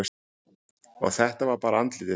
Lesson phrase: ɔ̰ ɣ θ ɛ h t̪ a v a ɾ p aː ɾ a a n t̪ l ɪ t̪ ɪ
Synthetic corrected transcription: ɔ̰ ɣ θ ɛ h t̪ a v a ɾ p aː ɾ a a n t̪ l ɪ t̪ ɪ